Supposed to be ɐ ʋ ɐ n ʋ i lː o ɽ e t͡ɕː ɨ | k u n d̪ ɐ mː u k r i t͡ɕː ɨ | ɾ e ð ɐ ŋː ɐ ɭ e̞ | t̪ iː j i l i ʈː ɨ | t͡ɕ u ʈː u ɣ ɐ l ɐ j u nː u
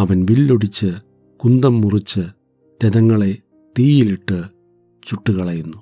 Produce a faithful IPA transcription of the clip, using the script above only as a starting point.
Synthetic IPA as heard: ɐ ʋ ɐ n ʋ i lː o ɽ i t͡ɕː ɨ | k u n d̪ ɐ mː u r i t͡ɕː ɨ | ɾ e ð ɐ ŋː ɐ ɭ e̞ | t̪ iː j i l i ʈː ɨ | t͡ɕ u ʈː u ɣ ɐ ɭ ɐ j u nː u